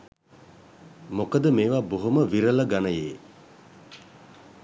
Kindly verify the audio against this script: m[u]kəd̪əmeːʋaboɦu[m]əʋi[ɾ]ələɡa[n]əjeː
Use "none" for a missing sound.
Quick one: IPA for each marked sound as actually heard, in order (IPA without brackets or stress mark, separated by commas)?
o, m, ɾ, n